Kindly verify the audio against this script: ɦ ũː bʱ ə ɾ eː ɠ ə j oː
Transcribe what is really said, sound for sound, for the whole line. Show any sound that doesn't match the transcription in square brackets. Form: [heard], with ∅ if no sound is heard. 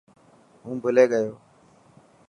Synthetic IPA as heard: ɦ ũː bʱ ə [l] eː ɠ ə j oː